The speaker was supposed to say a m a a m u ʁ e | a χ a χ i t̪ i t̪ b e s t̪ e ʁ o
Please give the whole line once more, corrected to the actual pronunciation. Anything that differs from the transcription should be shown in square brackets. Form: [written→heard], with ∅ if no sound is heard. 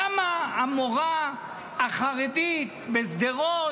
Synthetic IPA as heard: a m a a m [u→o] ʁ [e→a] | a χ a [χ→ʁ] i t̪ i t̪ b e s [t̪→d̪] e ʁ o